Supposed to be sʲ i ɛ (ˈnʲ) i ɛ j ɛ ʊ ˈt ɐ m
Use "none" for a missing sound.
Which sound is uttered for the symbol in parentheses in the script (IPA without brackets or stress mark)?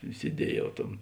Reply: dʲ